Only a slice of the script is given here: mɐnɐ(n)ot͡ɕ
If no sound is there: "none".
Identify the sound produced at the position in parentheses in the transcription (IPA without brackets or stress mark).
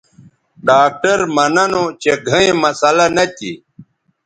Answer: n